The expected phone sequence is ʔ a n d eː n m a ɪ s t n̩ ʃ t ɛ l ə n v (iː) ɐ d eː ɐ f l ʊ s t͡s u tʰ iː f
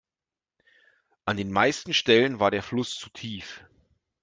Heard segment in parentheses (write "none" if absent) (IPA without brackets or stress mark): aː